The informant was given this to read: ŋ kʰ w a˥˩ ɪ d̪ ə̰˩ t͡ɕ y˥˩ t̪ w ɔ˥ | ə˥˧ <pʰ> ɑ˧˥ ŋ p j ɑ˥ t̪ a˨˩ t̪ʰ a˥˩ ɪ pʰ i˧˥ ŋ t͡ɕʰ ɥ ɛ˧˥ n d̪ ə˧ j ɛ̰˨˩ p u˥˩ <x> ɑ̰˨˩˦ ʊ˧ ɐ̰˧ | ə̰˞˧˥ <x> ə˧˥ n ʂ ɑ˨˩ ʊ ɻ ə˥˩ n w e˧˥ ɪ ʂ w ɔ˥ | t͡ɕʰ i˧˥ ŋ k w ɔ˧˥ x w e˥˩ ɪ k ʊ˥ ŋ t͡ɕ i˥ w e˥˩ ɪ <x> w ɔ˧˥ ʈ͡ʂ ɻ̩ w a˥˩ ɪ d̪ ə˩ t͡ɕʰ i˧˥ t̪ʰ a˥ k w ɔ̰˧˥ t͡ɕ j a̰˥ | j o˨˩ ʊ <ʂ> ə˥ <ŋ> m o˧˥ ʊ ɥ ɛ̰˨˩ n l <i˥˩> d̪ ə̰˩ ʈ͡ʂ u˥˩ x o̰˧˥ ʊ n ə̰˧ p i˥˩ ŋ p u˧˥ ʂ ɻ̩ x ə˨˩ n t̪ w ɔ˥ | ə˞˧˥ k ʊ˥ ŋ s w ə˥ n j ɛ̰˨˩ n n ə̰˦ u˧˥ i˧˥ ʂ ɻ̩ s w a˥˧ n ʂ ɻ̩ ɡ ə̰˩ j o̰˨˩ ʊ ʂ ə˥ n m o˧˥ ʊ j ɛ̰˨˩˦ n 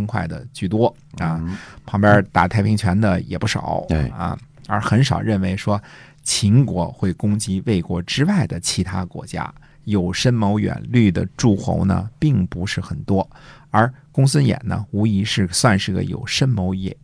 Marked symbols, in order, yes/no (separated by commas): yes, no, yes, no, yes, no, no